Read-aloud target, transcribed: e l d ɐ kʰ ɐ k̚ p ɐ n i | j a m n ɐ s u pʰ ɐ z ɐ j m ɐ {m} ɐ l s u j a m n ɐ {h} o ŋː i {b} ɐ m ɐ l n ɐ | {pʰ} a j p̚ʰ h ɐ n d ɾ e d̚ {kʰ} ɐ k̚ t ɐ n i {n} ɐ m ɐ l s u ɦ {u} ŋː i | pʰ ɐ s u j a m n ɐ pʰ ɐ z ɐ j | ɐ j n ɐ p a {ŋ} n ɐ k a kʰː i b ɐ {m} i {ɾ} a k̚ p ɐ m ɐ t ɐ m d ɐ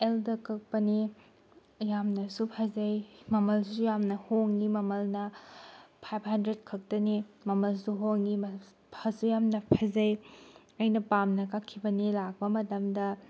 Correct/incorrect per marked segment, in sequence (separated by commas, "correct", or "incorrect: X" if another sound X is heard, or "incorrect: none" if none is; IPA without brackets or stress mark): correct, correct, incorrect: m, correct, correct, incorrect: m, incorrect: o, incorrect: m, incorrect: n, incorrect: l